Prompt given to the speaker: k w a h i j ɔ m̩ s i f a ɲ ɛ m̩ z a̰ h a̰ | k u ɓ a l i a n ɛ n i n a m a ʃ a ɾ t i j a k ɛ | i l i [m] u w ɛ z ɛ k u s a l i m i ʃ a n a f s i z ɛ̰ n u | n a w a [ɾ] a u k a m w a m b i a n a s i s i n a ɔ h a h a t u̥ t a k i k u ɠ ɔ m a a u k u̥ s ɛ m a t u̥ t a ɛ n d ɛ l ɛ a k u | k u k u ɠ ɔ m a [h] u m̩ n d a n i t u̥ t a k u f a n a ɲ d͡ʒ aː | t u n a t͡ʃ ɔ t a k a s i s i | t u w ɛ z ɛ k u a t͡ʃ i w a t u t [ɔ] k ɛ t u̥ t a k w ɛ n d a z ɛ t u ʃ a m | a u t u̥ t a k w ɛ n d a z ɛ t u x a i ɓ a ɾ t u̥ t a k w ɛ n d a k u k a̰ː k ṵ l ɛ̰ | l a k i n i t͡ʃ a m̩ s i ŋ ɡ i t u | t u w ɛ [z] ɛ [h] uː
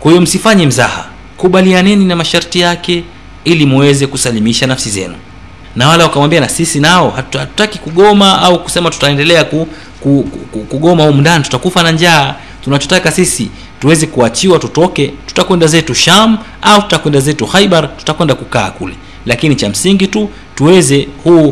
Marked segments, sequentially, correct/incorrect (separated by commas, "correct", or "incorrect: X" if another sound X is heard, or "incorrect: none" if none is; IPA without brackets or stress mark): correct, incorrect: l, correct, correct, correct, correct